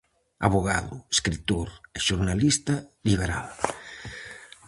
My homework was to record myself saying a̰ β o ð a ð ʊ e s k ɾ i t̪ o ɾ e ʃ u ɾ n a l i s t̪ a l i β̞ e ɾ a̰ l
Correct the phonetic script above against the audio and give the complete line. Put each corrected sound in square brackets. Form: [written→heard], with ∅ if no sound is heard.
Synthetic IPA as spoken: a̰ β o [ð→ɣ] a ð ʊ e s k ɾ i t̪ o ɾ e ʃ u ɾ n a l i s t̪ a l i β̞ e ɾ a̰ l